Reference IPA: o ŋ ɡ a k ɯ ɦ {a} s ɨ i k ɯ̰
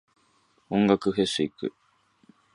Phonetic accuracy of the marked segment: incorrect: e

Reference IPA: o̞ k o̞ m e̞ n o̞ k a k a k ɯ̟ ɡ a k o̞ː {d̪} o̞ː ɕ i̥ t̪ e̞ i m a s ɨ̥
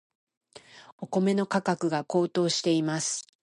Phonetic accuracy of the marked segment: incorrect: t̪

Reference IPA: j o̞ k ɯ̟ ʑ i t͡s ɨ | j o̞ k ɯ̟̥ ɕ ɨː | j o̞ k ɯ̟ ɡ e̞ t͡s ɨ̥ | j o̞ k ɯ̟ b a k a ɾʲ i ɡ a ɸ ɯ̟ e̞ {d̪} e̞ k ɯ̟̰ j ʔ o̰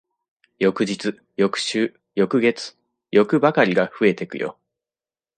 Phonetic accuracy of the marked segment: incorrect: t̪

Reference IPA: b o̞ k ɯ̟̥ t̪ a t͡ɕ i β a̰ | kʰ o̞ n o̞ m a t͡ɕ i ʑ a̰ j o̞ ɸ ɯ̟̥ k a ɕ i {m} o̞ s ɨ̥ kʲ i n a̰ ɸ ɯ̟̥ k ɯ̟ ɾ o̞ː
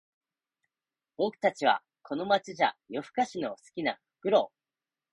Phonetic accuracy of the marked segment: incorrect: n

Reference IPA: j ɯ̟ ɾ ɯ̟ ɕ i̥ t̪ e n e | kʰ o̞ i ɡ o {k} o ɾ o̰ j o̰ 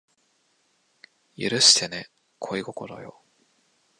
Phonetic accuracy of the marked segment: correct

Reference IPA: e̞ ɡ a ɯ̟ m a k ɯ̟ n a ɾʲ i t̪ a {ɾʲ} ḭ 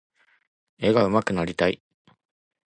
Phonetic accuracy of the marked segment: incorrect: none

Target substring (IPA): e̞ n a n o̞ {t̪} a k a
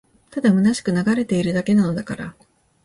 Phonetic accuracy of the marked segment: incorrect: d̪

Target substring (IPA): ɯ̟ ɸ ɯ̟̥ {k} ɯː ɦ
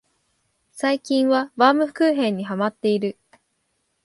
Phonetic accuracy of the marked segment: correct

